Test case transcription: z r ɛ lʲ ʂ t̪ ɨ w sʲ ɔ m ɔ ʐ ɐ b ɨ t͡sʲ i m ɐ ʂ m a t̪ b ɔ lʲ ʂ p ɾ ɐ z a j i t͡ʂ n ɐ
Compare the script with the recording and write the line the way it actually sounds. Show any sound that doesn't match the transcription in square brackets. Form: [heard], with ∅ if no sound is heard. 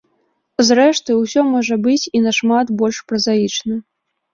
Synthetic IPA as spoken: z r ɛ [∅] ʂ t̪ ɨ w sʲ ɔ m ɔ ʐ ɐ b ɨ t͡sʲ i [n] ɐ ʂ m a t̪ b ɔ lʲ ʂ p ɾ ɐ z a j i t͡ʂ n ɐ